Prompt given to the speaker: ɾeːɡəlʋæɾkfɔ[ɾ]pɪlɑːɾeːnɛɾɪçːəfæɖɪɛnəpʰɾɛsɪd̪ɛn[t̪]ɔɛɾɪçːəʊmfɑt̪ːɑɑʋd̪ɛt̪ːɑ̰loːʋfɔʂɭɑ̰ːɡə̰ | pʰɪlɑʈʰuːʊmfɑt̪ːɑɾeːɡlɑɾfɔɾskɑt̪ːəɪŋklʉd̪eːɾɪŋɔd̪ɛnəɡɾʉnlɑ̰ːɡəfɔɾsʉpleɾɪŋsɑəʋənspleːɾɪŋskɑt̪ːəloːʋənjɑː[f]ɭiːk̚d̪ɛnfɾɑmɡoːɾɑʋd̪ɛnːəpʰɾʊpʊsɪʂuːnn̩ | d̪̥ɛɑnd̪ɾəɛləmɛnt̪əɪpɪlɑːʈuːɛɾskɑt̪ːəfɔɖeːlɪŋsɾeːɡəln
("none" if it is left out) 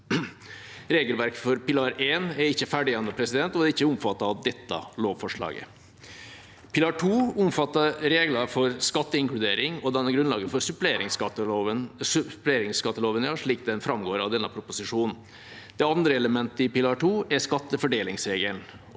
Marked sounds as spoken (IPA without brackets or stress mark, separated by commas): ɾ, t̪, ʂ